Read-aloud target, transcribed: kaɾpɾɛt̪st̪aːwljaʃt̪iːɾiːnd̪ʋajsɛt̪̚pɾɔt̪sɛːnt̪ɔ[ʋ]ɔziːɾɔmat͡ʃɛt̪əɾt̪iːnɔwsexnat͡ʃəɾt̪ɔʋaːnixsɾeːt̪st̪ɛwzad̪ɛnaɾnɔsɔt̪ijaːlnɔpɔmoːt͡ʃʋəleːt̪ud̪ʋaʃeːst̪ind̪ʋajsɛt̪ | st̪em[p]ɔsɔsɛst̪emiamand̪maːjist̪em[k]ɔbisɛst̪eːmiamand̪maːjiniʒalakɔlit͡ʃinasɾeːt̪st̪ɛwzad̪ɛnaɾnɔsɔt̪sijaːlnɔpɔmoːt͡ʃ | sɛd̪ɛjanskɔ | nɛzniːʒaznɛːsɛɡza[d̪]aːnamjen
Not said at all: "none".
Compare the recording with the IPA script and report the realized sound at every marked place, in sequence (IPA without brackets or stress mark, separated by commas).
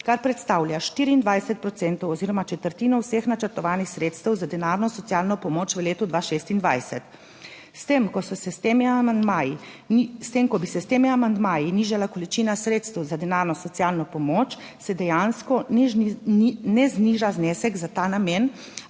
w, k, k, t̪